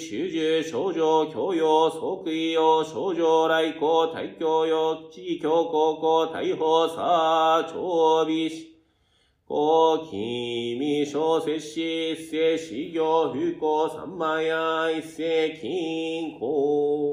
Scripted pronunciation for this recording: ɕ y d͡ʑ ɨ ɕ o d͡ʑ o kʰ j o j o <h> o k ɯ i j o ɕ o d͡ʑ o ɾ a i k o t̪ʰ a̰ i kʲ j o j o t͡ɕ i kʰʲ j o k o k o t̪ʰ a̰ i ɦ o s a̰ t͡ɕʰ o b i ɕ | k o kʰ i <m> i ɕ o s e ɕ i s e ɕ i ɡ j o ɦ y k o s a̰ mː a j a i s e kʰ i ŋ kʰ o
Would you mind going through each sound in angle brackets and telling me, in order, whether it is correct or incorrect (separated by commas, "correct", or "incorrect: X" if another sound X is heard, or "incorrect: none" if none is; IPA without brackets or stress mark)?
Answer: incorrect: s, correct